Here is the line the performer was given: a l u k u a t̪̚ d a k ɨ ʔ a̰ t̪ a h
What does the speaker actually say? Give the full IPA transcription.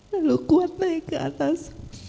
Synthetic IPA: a l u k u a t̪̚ n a k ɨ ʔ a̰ t̪ a s